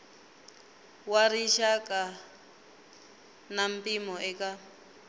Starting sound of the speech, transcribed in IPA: w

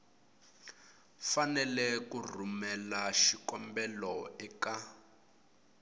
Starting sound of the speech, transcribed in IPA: f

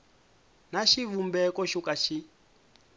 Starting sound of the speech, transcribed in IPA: n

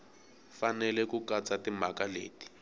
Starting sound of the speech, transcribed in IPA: f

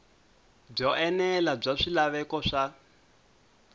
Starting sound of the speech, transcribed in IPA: b͡ʐ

